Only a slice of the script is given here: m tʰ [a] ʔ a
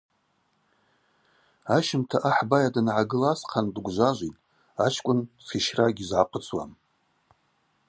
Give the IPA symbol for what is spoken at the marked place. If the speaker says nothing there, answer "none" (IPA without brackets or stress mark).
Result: a